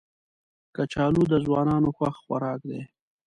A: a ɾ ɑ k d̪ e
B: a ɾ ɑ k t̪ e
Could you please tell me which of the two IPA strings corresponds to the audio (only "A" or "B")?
A